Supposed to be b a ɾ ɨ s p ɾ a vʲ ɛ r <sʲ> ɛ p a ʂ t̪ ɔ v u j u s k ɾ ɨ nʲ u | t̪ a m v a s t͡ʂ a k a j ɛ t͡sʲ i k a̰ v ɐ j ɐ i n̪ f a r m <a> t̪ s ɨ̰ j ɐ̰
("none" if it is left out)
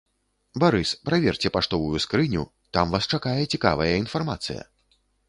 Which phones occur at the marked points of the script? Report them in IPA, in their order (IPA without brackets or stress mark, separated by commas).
t͡sʲ, a